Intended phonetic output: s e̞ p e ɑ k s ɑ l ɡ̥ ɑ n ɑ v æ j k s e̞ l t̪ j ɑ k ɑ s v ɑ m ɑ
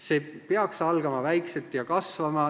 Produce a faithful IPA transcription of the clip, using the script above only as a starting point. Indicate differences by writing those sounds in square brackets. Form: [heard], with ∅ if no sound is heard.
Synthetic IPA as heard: s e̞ p e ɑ k s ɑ l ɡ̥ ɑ [m] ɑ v æ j k s e̞ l t̪ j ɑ k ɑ s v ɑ m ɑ